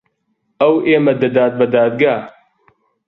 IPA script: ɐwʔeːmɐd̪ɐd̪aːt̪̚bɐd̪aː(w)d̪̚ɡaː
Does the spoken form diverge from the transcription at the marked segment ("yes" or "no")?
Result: yes